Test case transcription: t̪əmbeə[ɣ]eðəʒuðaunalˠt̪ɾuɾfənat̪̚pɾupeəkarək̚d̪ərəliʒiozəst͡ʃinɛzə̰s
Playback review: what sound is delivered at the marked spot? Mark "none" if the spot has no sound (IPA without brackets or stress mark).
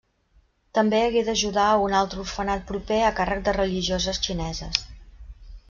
ɣ